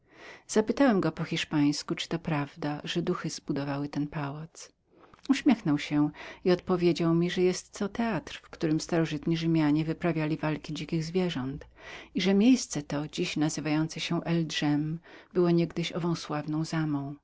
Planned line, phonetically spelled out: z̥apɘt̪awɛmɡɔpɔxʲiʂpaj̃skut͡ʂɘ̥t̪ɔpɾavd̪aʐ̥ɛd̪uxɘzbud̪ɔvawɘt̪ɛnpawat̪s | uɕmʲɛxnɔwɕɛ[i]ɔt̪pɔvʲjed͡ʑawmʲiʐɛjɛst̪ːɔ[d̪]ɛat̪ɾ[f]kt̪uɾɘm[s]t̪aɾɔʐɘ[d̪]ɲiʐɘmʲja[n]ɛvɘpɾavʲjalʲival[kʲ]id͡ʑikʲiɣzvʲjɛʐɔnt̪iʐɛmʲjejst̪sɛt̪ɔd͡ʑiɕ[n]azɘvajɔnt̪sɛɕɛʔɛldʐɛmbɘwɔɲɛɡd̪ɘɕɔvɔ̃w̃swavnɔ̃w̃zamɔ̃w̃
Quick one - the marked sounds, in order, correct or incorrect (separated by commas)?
correct, incorrect, correct, correct, incorrect, incorrect, correct, correct